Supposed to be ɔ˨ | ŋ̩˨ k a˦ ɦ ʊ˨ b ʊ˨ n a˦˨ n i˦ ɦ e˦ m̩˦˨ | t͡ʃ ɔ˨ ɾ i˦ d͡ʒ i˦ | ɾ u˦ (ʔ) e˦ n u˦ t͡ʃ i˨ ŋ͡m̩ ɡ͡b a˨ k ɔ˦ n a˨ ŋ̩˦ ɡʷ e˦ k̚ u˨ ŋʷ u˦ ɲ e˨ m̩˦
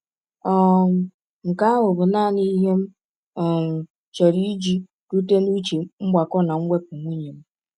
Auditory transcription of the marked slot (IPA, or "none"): t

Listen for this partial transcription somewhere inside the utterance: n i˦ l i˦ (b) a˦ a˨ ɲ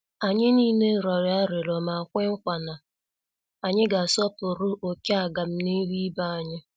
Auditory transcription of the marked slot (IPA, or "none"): b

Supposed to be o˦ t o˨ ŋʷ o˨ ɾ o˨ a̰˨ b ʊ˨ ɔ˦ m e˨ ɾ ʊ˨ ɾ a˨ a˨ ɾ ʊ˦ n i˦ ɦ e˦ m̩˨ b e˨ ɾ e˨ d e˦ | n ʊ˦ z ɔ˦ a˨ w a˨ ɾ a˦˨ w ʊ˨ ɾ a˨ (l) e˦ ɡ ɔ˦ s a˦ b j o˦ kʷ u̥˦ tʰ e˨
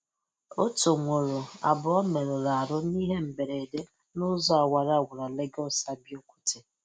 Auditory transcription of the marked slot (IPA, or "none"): l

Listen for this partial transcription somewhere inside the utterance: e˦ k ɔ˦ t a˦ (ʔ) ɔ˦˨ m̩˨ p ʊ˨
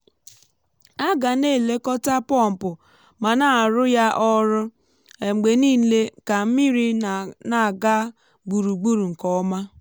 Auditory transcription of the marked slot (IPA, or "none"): p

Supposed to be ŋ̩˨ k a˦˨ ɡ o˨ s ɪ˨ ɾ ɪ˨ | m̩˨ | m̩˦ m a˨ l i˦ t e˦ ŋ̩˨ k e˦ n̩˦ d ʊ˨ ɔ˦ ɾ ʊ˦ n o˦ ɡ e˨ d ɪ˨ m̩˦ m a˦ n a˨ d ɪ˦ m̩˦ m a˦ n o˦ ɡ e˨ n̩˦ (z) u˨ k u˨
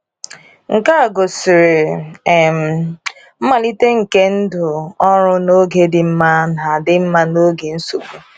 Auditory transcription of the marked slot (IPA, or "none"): s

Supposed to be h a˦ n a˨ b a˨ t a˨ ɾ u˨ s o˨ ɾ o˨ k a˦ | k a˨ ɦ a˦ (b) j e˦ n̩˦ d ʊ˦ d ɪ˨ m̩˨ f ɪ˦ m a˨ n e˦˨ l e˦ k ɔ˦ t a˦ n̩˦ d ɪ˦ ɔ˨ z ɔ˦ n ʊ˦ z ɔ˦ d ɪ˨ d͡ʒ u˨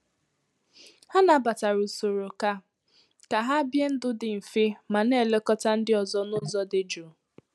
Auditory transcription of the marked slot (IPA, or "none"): b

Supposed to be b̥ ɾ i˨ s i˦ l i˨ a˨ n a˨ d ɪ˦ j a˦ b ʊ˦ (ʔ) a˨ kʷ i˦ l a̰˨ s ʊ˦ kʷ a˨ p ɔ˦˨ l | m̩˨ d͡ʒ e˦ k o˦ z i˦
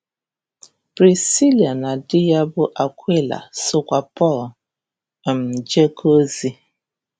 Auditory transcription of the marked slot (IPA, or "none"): ʔ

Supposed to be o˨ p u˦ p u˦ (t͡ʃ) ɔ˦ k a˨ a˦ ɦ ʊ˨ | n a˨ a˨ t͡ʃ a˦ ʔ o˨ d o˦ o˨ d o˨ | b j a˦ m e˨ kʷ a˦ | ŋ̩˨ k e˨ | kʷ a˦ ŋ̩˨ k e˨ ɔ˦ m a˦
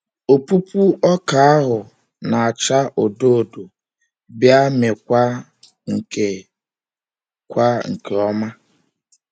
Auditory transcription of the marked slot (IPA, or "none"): none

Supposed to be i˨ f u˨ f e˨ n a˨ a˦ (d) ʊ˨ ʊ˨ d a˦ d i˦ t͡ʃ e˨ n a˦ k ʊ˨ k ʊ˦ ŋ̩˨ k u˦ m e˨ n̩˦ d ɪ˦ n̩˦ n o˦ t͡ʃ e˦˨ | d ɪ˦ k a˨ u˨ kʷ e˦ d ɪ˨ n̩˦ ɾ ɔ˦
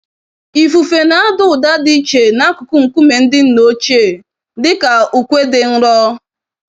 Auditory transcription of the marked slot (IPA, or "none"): d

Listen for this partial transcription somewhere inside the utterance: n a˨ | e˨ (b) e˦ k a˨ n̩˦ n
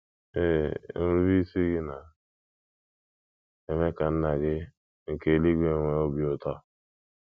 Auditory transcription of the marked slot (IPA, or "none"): m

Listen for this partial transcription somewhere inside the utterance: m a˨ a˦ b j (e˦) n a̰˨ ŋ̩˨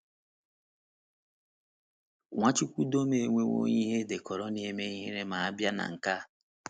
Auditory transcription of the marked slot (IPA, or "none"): a˦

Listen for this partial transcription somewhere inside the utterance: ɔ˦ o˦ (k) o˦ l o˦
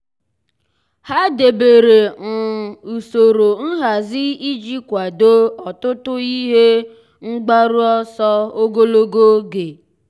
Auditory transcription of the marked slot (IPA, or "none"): ɡ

